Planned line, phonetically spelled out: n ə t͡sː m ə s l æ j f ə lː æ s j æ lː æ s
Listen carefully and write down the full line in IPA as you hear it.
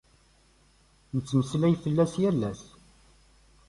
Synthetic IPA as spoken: n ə t͡sː m ə s l æ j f ə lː æ s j æ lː æ s

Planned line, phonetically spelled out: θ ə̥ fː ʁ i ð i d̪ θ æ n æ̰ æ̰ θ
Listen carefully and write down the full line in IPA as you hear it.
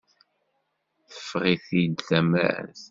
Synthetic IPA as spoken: θ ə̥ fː ʁ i θ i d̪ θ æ m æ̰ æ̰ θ

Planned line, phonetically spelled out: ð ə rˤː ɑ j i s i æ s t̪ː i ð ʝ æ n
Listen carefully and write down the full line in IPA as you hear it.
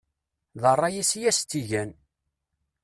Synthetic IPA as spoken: ð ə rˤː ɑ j i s j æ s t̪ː i ʝ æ n

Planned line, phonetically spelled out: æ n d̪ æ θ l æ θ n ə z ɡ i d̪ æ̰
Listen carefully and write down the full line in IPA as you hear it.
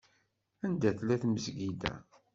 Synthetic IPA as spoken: æ n d̪ æ θ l æ θ m ə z ɡ i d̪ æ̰

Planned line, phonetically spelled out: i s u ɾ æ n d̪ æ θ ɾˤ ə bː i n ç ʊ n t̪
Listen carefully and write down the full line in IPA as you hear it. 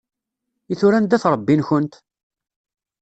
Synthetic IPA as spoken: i θ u ɾ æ n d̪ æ θ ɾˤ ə bː i n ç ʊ n t̪

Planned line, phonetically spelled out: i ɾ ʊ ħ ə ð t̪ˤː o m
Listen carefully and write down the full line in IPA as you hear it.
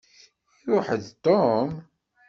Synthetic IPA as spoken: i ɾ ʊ ħ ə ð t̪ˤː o m

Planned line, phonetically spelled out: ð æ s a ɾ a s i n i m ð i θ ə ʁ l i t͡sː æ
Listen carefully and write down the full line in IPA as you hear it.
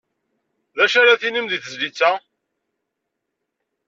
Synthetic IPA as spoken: ð æ ʃ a ɾ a θ i n i m ð i θ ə z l i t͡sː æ

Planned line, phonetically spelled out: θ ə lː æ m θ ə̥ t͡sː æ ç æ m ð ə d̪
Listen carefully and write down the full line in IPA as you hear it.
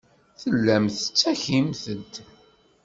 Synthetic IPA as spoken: θ ə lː æ m θ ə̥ t͡sː æ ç i m θ ə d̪

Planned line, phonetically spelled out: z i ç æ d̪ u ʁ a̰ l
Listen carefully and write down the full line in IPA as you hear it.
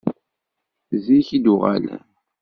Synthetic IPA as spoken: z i ç i d̪ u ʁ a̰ l

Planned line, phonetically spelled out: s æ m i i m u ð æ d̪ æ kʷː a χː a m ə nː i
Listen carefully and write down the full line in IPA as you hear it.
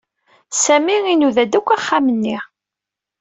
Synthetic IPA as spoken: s æ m i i n u ð æ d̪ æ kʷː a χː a m ə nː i

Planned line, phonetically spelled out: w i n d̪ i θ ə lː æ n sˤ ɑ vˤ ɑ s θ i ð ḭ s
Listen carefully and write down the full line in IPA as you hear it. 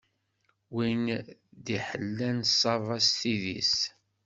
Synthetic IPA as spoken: w i n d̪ i ħ ə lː æ n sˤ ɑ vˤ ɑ s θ i ð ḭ s

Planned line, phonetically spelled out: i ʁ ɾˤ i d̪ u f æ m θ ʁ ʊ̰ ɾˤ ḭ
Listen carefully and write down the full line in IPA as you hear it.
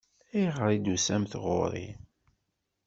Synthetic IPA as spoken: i ʁ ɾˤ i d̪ u s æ m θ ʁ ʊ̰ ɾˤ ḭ

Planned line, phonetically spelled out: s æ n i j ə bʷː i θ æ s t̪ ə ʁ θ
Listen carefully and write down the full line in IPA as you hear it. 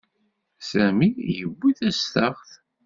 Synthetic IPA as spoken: s æ m i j ə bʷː i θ æ s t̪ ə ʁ θ

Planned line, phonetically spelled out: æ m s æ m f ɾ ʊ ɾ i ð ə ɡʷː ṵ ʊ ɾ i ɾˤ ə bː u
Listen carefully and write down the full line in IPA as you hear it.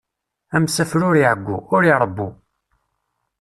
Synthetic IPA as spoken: æ m s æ f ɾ ʊ ɾ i ʕ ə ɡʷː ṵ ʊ ɾ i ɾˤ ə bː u

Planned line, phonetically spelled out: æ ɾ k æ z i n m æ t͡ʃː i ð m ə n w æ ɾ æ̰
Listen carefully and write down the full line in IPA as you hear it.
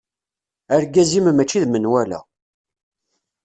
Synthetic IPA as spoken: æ ɾ ɡ æ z i m m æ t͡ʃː i ð m ə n w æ l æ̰

